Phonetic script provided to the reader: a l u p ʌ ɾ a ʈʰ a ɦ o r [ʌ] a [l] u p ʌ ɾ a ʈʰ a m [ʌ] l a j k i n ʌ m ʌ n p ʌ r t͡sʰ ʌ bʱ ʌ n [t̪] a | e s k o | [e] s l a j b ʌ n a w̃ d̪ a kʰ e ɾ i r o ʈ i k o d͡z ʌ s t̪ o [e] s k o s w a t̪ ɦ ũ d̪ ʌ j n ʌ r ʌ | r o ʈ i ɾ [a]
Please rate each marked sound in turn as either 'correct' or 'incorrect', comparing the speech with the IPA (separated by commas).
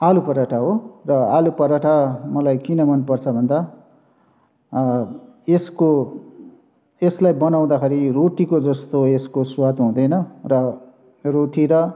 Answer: correct, correct, correct, incorrect, correct, correct, incorrect